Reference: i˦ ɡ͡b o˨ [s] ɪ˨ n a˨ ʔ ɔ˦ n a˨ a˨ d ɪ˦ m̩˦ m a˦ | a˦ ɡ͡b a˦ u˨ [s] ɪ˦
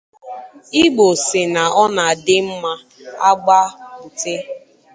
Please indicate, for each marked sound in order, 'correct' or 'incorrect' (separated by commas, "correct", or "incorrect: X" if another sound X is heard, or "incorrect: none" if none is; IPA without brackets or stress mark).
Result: correct, incorrect: t